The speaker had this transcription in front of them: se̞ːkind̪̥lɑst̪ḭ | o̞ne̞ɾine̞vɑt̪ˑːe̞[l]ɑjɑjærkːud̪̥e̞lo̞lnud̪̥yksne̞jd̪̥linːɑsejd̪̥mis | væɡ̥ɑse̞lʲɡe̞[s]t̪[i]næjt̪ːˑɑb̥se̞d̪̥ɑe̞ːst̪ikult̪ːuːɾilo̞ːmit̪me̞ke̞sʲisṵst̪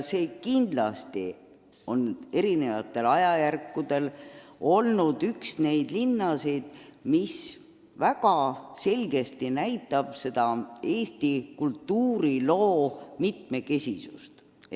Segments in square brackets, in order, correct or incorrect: correct, correct, correct

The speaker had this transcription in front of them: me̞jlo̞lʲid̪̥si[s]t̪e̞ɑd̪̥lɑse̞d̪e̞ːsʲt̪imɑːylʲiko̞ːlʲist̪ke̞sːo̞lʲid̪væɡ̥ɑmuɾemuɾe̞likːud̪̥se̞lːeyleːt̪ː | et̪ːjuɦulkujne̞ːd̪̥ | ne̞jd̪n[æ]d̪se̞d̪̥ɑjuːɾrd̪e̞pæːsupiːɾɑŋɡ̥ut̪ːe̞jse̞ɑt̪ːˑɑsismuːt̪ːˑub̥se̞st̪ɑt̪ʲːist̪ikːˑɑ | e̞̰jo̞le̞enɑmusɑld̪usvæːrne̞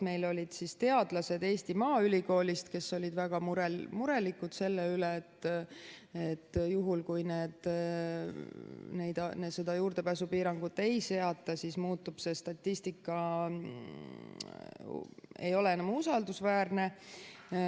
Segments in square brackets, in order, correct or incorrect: correct, incorrect: e

